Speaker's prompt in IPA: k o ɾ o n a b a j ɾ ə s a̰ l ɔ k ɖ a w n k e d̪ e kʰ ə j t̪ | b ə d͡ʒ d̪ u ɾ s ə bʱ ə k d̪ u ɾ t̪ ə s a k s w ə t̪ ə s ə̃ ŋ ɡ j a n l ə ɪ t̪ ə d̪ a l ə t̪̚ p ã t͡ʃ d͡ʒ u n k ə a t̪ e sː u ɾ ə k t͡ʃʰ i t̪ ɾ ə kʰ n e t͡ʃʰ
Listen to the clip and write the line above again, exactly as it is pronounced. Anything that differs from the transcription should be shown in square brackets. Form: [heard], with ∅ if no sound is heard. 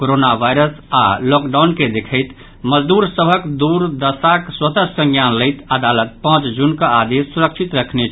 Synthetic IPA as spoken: k o ɾ o n a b a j ɾ ə s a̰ l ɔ k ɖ a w n k e d̪ e kʰ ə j t̪ | [m] ə d͡ʒ d̪ u ɾ s ə bʱ ə k d̪ u ɾ [d̪] ə s a k s w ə t̪ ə s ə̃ ŋ ɡ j a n l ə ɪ t̪ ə d̪ a l ə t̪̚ p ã t͡ʃ d͡ʒ u n k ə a [d̪] e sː u ɾ ə k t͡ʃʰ i t̪ ɾ ə kʰ n e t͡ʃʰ